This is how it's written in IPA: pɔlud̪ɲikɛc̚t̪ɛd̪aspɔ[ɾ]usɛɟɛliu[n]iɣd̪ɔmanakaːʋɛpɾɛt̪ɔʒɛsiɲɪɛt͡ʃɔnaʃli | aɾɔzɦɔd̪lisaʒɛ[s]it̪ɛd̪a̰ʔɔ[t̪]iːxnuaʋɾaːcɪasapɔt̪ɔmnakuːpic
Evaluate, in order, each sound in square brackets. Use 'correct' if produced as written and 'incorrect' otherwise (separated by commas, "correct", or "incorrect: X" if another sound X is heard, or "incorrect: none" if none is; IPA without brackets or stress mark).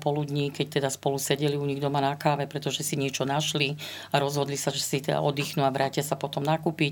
incorrect: l, incorrect: ɲ, correct, incorrect: d̪